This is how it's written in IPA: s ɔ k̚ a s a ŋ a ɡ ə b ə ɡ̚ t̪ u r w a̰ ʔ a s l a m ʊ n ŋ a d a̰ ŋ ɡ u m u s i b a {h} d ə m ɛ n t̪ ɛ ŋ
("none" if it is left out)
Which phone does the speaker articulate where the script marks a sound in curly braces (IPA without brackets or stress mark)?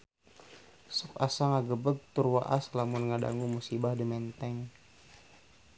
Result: h